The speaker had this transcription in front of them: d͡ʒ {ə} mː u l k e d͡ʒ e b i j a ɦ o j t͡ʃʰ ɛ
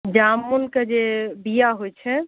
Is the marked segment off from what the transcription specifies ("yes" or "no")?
yes